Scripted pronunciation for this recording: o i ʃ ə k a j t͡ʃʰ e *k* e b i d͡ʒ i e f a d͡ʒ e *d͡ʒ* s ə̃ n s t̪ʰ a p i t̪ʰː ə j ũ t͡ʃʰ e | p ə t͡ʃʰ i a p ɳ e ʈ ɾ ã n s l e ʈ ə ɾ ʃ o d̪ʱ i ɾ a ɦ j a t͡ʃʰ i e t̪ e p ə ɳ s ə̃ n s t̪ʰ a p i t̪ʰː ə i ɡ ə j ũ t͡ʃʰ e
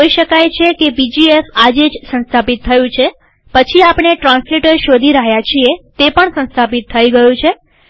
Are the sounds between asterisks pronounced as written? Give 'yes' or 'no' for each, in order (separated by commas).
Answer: yes, yes